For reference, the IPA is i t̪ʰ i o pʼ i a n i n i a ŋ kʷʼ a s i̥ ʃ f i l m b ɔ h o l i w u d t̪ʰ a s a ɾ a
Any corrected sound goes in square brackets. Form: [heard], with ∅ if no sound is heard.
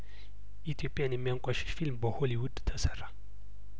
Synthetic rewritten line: i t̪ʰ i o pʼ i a n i [m] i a ŋ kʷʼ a [ʃ] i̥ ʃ f i l m b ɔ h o l i w u d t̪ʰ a s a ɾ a